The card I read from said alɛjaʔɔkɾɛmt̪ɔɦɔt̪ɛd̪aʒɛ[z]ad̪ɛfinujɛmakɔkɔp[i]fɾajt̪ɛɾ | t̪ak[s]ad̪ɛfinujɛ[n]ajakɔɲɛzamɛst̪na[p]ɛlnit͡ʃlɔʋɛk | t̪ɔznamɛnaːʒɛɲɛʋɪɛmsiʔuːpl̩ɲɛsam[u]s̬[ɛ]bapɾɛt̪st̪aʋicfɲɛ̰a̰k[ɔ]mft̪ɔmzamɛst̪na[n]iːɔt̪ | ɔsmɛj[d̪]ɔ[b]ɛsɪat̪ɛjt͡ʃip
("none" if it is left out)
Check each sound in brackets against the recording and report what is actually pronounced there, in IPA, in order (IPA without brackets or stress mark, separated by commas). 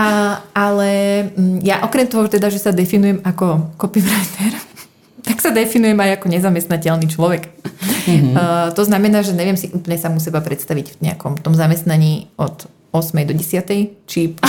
s, i, s, m, c, u, ɛ, ɔ, ɲ, d̪, ɟ